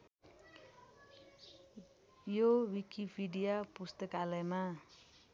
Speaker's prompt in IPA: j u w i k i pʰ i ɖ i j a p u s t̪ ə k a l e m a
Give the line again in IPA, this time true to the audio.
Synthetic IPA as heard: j o w i k i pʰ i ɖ i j a p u s t̪ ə k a l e m a